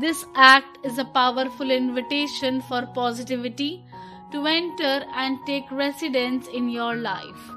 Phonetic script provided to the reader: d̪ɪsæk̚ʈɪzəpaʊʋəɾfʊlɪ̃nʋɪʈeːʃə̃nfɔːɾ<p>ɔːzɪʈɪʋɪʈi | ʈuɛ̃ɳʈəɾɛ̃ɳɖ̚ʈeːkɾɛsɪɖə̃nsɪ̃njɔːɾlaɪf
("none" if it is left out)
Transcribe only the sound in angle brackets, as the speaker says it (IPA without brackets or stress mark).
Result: p